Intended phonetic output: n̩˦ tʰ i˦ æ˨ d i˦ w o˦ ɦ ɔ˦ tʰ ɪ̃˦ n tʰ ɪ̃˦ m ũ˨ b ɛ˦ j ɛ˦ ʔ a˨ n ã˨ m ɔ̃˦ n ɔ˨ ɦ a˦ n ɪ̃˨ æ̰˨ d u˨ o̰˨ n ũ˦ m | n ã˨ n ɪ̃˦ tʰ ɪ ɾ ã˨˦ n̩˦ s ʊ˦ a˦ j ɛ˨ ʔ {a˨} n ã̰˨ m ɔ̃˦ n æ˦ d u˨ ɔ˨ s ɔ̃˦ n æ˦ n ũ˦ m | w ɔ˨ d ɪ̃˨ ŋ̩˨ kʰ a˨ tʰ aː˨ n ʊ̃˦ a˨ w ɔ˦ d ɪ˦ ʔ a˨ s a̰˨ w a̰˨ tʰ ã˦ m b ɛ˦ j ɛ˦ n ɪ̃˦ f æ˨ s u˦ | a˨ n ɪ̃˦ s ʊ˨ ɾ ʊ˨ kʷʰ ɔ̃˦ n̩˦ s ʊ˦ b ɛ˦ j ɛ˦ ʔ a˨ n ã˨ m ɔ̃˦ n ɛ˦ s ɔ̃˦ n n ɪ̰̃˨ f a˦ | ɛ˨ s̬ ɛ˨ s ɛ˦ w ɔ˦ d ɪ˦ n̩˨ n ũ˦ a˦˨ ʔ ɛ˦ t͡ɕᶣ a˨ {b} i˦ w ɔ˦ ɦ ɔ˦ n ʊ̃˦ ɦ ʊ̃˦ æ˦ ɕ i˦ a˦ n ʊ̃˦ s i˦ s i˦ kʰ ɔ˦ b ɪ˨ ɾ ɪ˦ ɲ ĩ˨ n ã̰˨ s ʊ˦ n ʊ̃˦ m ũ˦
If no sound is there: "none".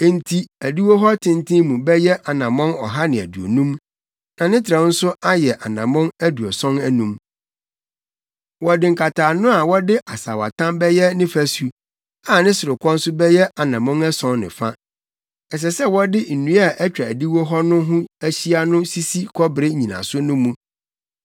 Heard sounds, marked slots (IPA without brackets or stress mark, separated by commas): a˨, d